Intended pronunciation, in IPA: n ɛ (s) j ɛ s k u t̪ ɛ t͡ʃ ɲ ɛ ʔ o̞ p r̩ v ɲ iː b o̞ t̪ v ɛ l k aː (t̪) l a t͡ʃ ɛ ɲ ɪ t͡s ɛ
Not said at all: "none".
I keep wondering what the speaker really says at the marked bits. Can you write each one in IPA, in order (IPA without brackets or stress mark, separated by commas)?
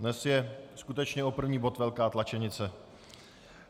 s, t̪